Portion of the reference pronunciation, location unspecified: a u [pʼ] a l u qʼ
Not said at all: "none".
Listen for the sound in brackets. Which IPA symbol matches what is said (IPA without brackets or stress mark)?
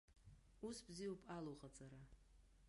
pʼ